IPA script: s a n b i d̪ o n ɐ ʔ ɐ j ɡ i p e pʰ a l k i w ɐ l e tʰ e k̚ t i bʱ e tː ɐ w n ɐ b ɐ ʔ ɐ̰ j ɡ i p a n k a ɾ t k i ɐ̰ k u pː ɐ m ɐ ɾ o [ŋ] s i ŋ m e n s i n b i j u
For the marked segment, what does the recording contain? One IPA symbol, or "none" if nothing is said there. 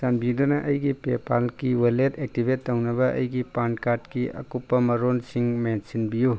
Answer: n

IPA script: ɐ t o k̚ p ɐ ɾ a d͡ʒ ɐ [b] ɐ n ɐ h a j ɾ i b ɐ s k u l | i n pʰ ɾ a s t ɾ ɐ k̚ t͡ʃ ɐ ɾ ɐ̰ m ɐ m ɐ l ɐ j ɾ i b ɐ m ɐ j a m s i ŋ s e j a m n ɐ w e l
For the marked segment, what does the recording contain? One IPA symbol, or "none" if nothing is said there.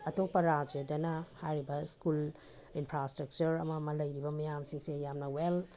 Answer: d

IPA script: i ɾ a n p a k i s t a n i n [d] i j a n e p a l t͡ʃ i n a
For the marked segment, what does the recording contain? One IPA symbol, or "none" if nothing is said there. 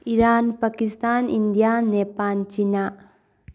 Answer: d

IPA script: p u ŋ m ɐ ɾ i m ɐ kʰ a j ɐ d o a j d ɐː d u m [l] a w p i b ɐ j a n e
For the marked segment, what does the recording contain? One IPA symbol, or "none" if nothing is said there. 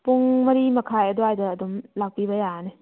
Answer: l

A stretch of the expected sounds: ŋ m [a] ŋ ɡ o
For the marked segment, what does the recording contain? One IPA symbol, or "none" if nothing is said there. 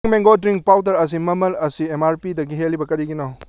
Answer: e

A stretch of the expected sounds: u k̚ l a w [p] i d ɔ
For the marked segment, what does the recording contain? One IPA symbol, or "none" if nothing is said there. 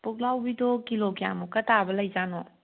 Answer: b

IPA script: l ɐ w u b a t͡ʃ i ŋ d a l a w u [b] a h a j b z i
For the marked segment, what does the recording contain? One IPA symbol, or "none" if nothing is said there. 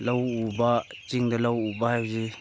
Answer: b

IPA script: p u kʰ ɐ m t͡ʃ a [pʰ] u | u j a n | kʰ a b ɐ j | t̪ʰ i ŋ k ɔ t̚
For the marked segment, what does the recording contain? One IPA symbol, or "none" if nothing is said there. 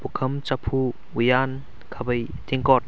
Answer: pʰ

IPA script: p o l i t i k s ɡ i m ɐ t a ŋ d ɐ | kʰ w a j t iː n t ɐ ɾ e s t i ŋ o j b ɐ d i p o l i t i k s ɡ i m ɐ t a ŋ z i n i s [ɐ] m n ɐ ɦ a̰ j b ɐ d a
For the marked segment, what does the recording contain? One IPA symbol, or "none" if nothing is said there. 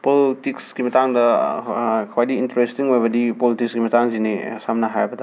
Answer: a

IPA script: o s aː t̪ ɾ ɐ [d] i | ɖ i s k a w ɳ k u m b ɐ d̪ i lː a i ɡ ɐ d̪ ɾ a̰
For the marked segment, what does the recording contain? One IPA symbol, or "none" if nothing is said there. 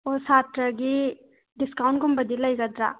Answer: ɡ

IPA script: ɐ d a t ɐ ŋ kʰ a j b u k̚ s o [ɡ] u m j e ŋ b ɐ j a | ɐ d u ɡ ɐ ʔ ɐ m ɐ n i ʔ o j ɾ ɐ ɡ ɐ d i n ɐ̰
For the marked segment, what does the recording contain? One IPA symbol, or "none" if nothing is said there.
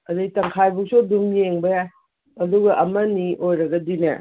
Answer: d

